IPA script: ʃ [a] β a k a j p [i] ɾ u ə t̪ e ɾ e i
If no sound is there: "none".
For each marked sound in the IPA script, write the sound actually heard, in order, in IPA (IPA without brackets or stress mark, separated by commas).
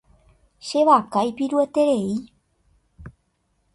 e, i